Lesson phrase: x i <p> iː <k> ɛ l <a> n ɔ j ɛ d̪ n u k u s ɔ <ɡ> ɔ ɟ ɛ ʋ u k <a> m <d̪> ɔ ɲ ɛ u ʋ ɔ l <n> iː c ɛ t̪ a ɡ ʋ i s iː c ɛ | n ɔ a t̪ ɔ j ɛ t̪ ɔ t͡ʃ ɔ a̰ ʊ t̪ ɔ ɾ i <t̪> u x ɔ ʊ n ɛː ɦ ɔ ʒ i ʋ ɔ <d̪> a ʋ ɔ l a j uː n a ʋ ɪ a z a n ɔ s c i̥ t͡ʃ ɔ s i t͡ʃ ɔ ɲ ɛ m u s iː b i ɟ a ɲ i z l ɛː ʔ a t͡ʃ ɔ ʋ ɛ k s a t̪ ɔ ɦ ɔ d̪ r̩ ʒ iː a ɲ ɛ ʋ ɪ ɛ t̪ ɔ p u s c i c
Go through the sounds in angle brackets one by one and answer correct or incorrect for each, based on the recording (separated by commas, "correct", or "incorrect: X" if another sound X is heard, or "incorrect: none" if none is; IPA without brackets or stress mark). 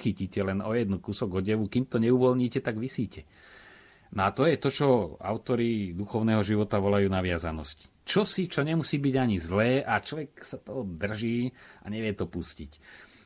incorrect: c, incorrect: c, incorrect: ɛ, correct, incorrect: i, incorrect: t̪, incorrect: ɲ, incorrect: d̪, incorrect: t̪